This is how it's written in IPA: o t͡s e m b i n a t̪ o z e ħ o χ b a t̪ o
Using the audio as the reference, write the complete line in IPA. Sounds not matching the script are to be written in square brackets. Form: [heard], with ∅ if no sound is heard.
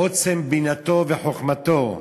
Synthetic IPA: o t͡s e m b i n a t̪ o [v] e ħ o χ [m] a t̪ o